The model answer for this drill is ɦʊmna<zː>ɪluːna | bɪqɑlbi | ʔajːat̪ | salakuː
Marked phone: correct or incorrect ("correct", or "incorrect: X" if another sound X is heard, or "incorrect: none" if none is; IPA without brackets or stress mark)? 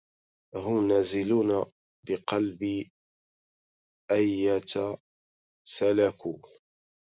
incorrect: z